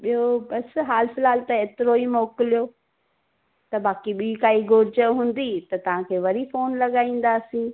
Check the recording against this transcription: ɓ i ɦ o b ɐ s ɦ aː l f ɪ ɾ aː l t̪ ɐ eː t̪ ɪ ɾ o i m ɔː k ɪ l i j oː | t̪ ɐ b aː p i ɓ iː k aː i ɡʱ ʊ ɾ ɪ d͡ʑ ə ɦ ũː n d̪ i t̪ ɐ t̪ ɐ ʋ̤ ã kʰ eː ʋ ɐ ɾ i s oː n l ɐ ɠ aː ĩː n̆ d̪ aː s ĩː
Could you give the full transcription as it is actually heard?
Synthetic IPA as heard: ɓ i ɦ o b ɐ s ɦ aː l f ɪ l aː l t̪ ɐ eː t̪ ɪ ɾ o i m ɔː k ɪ l i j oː | t̪ ɐ b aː k i ɓ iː k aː i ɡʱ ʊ ɾ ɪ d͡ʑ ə ɦ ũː n d̪ i t̪ ɐ t̪ ɐ ʋ̤ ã kʰ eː ʋ ɐ ɾ i f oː n l ɐ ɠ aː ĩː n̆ d̪ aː s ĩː